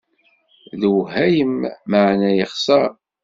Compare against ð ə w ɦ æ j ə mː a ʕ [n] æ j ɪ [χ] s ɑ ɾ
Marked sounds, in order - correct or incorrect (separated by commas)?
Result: correct, correct